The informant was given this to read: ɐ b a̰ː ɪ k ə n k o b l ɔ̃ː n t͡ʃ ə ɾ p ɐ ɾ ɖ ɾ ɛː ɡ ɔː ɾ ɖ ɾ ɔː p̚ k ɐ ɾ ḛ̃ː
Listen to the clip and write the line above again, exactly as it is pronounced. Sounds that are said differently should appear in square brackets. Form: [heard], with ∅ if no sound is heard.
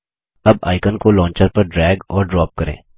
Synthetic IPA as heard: ɐ b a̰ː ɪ k ə n k o [∅] l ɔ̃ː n t͡ʃ ə ɾ p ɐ ɾ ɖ ɾ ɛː ɡ ɔː ɾ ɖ ɾ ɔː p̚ k ɐ ɾ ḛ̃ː